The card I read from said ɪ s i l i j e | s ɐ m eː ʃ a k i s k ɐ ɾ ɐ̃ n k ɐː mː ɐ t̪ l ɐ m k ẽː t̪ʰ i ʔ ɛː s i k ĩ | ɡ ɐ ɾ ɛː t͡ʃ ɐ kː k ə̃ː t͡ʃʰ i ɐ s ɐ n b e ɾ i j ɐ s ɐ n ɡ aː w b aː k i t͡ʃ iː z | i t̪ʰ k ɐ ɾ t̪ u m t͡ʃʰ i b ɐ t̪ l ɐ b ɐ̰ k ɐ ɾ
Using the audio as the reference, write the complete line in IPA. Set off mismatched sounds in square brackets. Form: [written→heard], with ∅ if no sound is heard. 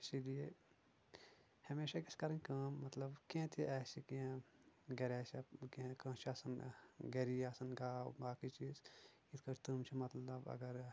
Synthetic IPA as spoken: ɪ s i l i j e | [s→h] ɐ m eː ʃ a k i s k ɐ ɾ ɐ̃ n k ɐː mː ɐ t̪ l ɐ [m→b] k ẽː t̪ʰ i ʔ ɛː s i k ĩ | ɡ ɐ ɾ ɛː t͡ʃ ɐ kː k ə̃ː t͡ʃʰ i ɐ s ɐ n [b→ɡ] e ɾ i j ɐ s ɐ n ɡ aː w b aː k i t͡ʃ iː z | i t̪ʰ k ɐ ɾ t̪ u m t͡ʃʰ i [b→m] ɐ t̪ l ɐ b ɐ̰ [k→ɡ] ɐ ɾ